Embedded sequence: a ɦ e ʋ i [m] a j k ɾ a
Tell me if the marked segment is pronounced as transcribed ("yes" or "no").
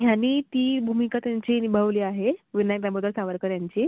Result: no